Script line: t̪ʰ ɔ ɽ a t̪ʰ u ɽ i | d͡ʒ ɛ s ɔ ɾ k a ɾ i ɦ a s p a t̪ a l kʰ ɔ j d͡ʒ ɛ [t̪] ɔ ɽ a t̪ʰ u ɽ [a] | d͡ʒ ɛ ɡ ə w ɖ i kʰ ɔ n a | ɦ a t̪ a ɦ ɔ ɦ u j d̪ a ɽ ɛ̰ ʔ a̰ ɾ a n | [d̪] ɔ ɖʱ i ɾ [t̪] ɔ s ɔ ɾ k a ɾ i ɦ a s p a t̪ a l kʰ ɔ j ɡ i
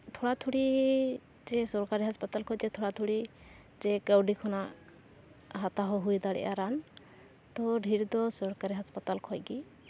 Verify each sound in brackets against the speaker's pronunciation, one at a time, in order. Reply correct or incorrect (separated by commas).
incorrect, incorrect, incorrect, incorrect